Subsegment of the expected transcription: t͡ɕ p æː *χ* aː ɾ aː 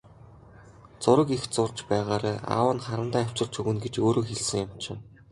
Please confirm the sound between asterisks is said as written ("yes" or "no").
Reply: no